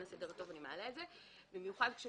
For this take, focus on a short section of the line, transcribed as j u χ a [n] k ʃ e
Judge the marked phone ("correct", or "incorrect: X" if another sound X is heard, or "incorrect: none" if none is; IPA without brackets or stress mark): incorrect: d